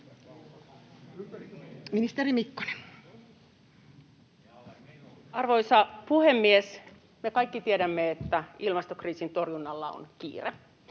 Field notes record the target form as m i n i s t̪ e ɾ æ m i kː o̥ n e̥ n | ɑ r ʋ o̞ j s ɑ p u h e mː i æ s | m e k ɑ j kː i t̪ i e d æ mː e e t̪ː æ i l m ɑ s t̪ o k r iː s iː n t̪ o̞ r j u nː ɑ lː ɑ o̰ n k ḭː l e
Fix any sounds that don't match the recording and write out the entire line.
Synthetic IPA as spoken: m i n i s t̪ e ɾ i m i kː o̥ n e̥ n | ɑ r ʋ o̞ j s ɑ p u h e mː i e s | m e k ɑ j kː i t̪ i e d æ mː e e t̪ː æ i l m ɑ s t̪ o k r iː s i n t̪ o̞ r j u nː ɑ lː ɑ o̰ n k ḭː r e

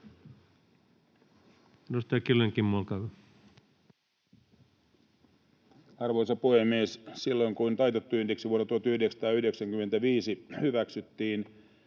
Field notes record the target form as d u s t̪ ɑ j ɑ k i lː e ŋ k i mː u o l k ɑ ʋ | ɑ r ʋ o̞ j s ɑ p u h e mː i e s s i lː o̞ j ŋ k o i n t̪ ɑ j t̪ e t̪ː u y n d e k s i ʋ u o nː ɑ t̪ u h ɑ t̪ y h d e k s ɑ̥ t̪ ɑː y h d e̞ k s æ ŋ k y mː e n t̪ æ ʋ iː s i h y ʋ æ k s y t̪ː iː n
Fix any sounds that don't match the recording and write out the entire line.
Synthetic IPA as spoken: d u s t̪ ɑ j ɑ k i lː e ŋ k i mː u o l k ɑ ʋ | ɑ r ʋ o̞ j s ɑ p u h e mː i e s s i lː o̞ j ŋ k u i n t̪ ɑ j t̪ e t̪ː u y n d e k s i ʋ u o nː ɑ t̪ u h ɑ t̪ y h d e k s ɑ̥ t̪ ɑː y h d e̞ k s æ ŋ k y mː e n t̪ æ ʋ iː s i h y ʋ æ k s y t̪ː iː n

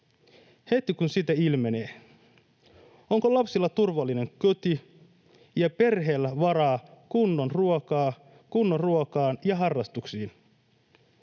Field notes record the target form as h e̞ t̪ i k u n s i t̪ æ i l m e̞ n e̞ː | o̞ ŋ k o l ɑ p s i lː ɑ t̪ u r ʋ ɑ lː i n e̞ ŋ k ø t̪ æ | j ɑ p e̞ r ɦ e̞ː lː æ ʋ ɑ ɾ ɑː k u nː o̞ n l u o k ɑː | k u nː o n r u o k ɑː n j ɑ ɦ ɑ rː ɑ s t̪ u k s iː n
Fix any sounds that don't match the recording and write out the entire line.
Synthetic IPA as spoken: h e̞ t̪ i k u n s i t̪ æ i l m e̞ n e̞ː | o̞ ŋ k o l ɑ p s i lː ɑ t̪ u r ʋ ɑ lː i n e̞ ŋ k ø t̪ i | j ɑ p e̞ r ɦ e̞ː lː æ ʋ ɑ ɾ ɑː k u nː o̞ n r u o k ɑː | k u nː o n r u o k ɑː n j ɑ ɦ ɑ rː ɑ s t̪ u k s iː n

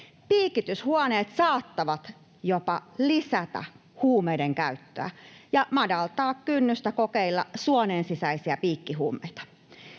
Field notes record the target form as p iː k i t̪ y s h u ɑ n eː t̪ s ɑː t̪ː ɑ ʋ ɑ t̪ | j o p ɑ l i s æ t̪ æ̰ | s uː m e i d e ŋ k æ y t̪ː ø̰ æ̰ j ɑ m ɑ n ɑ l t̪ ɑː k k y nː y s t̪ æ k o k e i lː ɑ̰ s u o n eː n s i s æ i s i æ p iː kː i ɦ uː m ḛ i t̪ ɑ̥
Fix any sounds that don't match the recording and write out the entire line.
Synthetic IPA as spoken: p iː k i t̪ y s h u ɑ n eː t̪ s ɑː t̪ː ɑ ʋ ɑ t̪ | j o p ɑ l i s æ t̪ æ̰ | h uː m e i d e ŋ k æ y t̪ː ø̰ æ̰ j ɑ m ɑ d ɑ l t̪ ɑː k k y nː y s t̪ æ k o k e i lː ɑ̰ s u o n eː n s i s æ i s i æ p iː kː i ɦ uː m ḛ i t̪ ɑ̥

